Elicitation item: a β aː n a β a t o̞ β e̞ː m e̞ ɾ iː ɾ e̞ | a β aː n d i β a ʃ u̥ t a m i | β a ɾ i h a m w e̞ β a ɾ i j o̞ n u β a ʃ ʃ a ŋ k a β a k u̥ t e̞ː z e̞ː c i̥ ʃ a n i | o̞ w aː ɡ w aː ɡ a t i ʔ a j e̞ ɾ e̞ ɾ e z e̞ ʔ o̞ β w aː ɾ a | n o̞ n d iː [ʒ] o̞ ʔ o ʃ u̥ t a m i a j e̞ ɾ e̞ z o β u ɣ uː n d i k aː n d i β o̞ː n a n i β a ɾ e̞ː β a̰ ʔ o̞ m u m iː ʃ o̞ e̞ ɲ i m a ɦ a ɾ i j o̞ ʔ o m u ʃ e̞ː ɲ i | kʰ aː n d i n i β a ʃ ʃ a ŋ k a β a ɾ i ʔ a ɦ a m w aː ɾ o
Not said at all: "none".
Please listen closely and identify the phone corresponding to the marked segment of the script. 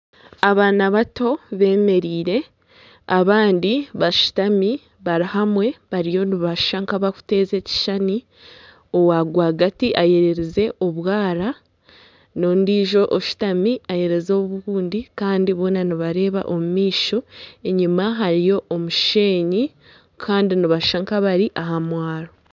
ʒ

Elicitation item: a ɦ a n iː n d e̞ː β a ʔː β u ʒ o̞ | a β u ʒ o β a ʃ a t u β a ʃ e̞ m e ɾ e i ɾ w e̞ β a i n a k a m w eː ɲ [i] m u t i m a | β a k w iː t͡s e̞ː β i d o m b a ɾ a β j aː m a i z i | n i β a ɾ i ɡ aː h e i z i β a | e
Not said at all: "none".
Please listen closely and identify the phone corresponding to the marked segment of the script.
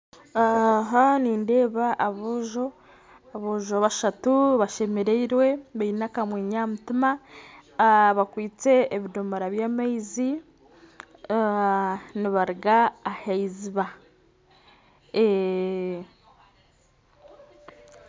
a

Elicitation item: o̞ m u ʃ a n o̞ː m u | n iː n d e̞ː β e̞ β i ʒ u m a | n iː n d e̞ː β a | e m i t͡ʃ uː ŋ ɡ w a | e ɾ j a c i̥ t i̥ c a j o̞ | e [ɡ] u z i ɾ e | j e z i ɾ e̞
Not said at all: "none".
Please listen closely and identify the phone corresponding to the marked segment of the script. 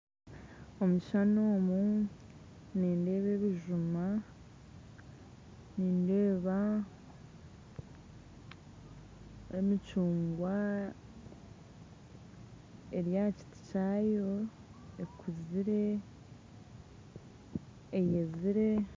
k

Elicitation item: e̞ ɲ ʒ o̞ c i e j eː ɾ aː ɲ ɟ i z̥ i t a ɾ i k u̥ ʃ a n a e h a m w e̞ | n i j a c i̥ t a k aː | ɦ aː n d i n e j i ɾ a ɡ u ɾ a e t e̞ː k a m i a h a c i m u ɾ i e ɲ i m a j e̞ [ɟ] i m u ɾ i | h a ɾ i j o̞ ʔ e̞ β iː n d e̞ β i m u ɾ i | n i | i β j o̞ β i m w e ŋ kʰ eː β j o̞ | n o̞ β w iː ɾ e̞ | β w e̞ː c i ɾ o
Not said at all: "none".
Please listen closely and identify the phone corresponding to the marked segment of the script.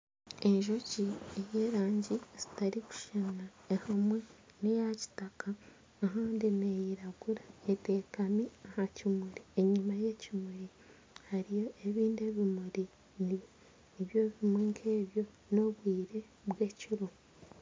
c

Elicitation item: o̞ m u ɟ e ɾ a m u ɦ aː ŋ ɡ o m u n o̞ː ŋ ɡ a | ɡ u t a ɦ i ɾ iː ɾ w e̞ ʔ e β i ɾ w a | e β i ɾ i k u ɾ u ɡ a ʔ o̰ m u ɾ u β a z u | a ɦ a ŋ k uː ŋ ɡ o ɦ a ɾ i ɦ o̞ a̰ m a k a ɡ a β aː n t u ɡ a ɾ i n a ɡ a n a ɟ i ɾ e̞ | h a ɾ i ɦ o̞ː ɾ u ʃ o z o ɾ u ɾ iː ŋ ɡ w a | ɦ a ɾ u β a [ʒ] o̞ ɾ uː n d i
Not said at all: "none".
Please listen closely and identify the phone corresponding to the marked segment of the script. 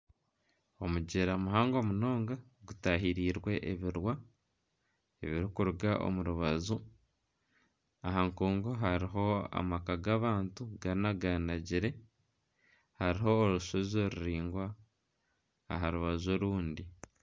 z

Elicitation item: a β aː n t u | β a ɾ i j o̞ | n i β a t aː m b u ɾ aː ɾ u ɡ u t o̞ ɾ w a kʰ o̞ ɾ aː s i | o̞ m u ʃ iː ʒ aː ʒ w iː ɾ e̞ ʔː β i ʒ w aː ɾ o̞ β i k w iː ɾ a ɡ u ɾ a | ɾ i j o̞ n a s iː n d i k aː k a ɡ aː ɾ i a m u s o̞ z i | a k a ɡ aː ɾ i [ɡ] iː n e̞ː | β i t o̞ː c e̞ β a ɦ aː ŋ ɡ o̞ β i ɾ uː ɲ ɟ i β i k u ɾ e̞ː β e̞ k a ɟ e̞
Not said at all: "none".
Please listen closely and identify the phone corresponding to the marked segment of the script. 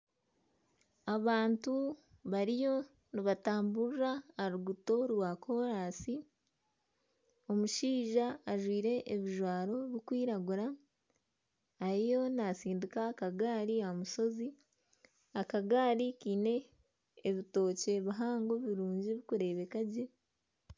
k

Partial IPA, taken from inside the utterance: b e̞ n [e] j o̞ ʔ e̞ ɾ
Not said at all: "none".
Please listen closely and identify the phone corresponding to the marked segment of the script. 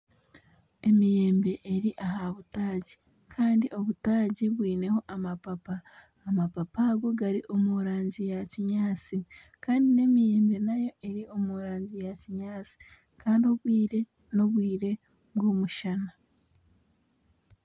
a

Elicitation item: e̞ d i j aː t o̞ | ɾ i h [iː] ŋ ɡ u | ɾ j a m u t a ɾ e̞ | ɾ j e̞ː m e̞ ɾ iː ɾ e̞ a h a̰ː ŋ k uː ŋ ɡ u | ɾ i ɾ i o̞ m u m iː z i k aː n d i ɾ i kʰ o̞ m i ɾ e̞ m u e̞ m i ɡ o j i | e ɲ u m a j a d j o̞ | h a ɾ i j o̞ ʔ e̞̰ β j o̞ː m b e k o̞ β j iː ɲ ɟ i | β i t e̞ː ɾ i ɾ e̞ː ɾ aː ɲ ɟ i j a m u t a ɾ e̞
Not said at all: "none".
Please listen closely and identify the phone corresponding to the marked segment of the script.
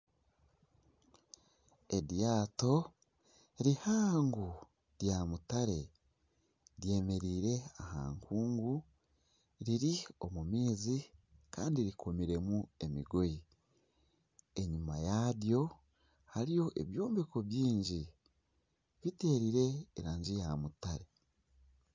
aː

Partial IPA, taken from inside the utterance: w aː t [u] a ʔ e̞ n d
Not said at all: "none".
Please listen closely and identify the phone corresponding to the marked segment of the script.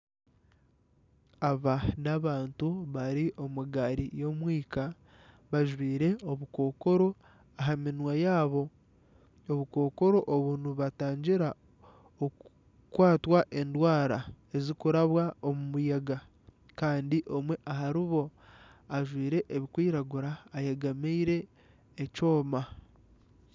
w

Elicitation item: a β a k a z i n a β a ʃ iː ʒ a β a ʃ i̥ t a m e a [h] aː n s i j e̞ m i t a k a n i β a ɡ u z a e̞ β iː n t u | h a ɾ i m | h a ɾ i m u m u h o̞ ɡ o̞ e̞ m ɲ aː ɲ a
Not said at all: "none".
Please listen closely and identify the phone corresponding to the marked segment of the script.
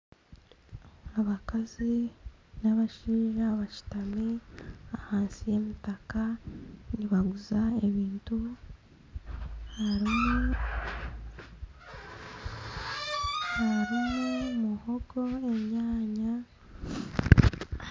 h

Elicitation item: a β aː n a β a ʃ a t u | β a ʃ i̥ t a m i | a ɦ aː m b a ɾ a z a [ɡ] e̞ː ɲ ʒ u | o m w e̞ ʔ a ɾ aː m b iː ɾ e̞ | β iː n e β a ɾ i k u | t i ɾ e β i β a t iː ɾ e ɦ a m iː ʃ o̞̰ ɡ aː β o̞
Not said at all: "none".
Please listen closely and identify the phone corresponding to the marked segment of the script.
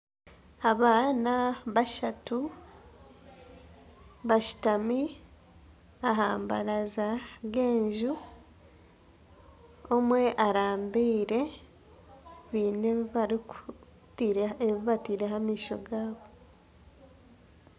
ɡ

